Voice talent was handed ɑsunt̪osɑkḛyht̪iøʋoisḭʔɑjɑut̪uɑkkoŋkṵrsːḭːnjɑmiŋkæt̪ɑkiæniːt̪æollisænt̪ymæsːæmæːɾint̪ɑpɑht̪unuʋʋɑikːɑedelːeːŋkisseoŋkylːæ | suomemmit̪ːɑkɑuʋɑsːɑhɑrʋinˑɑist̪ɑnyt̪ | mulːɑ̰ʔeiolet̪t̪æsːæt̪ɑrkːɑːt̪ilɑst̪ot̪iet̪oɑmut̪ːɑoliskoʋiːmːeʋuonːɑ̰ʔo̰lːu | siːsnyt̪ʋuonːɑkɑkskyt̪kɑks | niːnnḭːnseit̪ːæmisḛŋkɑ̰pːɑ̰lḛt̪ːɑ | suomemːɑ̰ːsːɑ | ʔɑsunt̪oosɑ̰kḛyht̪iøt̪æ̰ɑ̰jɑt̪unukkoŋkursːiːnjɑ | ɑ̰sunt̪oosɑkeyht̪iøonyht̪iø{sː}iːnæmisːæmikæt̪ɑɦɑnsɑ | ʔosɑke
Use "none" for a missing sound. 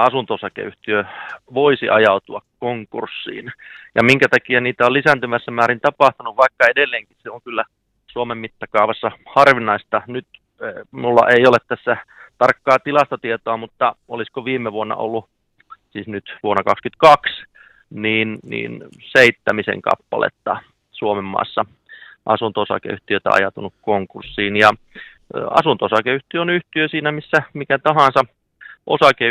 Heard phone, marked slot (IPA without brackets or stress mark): s